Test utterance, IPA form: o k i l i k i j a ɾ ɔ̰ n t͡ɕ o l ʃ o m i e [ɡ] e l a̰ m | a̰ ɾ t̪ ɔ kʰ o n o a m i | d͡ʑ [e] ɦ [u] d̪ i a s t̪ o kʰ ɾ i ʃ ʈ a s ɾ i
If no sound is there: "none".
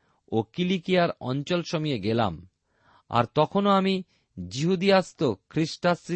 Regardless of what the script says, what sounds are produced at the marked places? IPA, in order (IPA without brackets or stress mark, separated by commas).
ɡ, i, u